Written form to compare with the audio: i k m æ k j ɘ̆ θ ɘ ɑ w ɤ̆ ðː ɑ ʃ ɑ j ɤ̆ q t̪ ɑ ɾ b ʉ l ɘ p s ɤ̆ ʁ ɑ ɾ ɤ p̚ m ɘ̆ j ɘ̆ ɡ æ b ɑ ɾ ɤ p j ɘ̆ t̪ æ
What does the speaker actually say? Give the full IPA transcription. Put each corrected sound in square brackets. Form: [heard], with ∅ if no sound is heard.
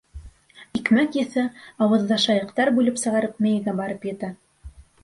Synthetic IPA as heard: i k m æ k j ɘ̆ θ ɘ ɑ w ɤ̆ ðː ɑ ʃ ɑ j ɤ̆ q t̪ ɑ ɾ b ʉ l ɘ p s ɤ̆ ʁ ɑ ɾ ɤ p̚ m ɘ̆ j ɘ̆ ɡ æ b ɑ ɾ ɤ p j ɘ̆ t̪ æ